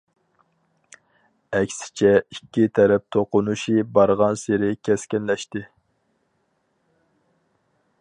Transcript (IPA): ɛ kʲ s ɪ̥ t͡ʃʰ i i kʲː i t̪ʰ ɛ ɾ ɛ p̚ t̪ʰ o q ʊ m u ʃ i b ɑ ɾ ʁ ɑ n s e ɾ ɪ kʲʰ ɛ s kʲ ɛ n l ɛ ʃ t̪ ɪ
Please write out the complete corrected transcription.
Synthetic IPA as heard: ɛ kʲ s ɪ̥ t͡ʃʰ ɛ i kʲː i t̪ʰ ɛ ɾ ɛ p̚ t̪ʰ o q ʊ n u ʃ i b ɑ ɾ ʁ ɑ n s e ɾ ɪ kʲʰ ɛ s kʲ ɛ n l ɛ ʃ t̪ ɪ